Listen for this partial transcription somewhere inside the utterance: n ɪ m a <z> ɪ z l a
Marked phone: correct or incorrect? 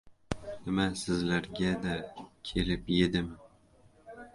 incorrect